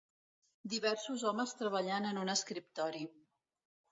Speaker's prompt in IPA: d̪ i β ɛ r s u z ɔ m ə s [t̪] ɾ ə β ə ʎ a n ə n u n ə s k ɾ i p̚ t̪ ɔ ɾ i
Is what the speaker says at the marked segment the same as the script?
yes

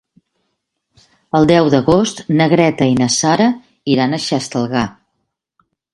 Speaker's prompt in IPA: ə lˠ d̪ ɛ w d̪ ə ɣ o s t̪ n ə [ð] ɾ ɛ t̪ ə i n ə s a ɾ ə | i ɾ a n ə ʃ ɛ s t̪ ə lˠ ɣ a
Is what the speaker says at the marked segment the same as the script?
no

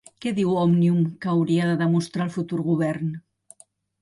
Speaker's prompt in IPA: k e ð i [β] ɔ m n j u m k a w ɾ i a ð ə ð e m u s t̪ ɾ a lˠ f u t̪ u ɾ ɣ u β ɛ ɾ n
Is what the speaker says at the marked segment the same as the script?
no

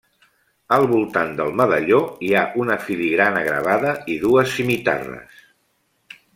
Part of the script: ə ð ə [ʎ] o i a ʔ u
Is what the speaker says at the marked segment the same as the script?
yes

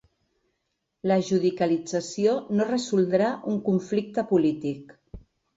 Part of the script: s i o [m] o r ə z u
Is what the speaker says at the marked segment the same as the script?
no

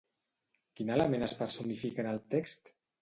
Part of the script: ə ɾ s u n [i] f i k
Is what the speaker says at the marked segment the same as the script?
yes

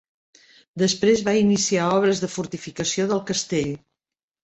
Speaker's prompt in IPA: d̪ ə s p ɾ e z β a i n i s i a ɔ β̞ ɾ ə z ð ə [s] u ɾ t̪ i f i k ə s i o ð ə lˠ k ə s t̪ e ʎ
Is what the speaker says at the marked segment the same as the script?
no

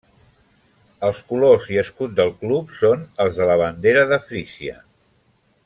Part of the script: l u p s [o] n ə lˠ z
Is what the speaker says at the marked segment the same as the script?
yes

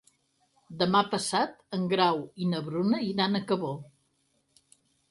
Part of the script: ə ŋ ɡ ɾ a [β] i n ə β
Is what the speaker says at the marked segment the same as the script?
no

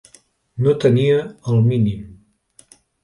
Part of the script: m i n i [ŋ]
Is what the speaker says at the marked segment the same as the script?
no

